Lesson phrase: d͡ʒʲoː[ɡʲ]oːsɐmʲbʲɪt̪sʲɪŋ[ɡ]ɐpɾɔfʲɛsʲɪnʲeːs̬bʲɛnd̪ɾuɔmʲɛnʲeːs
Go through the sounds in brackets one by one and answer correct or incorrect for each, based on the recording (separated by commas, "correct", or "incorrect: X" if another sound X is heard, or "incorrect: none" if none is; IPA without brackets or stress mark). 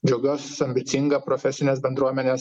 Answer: correct, correct